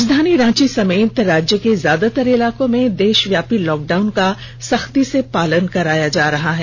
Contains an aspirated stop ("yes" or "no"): no